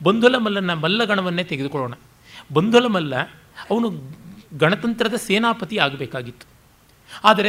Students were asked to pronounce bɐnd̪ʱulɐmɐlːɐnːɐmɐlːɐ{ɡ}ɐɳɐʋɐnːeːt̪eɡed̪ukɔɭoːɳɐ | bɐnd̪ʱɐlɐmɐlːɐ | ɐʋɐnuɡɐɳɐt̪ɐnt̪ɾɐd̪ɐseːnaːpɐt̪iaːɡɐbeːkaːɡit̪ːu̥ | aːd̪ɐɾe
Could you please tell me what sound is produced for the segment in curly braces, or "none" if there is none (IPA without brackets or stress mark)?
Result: ɡ